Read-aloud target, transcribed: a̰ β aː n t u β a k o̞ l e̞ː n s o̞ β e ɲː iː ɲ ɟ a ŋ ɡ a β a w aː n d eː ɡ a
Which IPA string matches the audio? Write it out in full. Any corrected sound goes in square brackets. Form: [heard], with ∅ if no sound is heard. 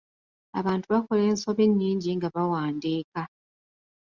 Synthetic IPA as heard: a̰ β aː n t u β a k o̞ l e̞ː n s o̞ β e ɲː iː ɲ ɟ [i] ŋ ɡ a β a w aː n d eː [k] a